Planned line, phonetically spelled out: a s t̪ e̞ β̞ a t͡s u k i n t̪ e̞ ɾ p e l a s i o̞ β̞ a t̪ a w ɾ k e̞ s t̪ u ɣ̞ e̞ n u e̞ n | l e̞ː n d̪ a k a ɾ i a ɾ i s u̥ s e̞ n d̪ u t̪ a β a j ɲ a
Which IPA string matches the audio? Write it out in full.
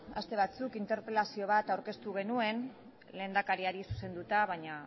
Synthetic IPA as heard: a s t̪ e̞ β̞ a t͡s u k i n t̪ e̞ ɾ p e l a s i o̞ β̞ a t̪ a w ɾ k e̞ s t̪ u ɣ̞ e̞ n u e̞ n | l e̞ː n d̪ a k a ɾ i a ɾ i s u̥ s e̞ n d̪ u t̪ a β a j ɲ a